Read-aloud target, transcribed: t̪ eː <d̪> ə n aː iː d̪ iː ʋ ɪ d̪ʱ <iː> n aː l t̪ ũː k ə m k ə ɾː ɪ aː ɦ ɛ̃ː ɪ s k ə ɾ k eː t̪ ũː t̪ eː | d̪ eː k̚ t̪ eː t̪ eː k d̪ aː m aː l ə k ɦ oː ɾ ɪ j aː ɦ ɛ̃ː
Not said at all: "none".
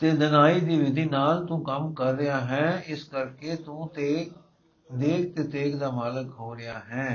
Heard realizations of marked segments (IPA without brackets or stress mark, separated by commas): d̪, iː